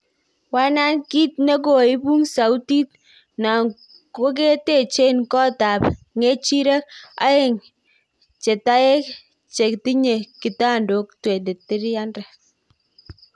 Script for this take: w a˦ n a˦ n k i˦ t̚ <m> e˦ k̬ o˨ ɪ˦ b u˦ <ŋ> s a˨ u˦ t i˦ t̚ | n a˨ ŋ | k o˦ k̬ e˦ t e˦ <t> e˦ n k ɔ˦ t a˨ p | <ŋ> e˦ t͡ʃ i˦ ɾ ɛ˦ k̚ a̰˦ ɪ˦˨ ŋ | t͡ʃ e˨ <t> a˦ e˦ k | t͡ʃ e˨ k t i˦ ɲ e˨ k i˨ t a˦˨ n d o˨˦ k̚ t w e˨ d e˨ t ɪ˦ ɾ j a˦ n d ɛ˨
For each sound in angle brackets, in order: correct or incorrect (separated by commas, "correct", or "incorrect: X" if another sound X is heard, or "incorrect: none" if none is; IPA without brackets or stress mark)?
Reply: incorrect: n, correct, incorrect: t͡ʃ, correct, correct